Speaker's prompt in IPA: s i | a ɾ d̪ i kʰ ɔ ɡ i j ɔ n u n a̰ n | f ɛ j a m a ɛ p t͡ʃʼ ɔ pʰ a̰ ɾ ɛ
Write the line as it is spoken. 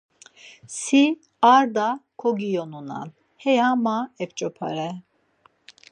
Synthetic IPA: s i | a ɾ d̪ a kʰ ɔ ɡ i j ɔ n u n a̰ n | h ɛ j a m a ɛ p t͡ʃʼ ɔ pʰ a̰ ɾ ɛ